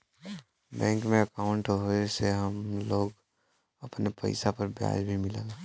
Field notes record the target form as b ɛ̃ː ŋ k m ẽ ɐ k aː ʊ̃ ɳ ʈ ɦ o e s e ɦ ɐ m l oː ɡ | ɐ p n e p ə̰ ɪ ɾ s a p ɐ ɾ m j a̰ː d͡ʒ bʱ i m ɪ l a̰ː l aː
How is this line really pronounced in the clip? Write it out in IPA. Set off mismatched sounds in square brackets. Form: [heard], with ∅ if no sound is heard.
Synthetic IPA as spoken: b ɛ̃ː ŋ k m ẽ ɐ k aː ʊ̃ ɳ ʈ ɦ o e s e ɦ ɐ m l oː ɡ | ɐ p n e p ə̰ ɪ [∅] s a p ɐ ɾ [b] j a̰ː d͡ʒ bʱ i m ɪ l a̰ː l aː